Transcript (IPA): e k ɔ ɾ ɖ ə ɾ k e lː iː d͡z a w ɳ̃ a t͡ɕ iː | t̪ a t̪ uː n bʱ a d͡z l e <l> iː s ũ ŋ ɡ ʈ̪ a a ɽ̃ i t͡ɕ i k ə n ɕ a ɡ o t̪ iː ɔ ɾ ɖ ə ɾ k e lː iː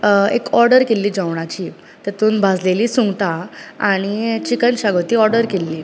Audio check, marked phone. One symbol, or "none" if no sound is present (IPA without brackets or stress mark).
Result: l